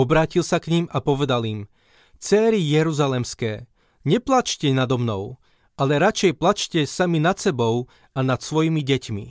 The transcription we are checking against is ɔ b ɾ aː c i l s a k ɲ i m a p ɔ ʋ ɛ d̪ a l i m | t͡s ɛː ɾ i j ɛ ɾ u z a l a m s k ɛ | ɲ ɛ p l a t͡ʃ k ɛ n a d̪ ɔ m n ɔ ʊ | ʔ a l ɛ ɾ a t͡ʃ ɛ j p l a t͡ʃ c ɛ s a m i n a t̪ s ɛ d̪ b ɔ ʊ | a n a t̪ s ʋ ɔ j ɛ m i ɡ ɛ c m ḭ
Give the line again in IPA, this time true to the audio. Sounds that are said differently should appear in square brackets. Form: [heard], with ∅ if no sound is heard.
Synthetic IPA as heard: ɔ b ɾ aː c i l s a k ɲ i m a p ɔ ʋ ɛ d̪ a l i m | t͡s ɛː ɾ i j ɛ ɾ u z a l [ɛ] m s k [ɛː] | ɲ ɛ p l a t͡ʃ [c] ɛ n a d̪ ɔ m n ɔ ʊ | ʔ a l ɛ ɾ a t͡ʃ ɛ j p l a t͡ʃ c ɛ s a m i n a t̪ s ɛ [∅] b ɔ ʊ | a n a t̪ s ʋ ɔ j [i] m i [ɟ] ɛ c m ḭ